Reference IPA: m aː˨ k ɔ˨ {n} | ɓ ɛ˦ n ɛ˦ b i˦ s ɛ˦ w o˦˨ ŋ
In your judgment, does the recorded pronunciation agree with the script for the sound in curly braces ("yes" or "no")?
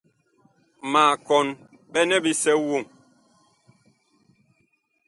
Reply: yes